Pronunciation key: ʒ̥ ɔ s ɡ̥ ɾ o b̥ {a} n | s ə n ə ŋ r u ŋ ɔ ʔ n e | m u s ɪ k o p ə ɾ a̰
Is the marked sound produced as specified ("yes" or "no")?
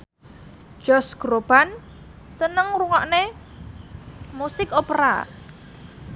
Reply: yes